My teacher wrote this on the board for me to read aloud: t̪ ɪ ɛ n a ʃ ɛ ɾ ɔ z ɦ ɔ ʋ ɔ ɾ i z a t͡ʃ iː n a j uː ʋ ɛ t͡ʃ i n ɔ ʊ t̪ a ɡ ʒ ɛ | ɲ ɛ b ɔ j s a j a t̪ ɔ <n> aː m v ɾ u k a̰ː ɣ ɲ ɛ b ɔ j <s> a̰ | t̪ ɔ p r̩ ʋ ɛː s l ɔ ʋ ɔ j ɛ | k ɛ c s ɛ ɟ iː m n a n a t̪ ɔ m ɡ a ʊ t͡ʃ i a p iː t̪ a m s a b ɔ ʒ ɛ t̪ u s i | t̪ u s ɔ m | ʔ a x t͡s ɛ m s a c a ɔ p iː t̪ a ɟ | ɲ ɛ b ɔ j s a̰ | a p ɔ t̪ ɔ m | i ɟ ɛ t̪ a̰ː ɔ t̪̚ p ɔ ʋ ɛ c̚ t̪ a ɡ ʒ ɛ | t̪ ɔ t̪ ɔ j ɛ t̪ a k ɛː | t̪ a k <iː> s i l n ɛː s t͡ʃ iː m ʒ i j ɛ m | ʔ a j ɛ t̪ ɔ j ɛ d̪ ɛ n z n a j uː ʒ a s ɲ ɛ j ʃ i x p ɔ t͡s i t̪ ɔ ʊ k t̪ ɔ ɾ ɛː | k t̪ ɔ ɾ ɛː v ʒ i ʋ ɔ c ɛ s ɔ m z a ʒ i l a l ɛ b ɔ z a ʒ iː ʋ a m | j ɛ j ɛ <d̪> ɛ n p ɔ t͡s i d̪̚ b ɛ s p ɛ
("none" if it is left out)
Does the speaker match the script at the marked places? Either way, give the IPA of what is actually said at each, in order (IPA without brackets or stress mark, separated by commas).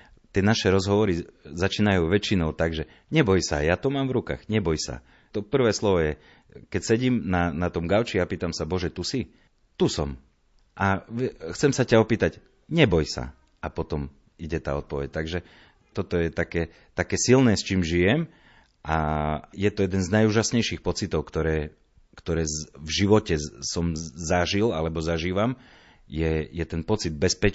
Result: m, s, ɛː, t̪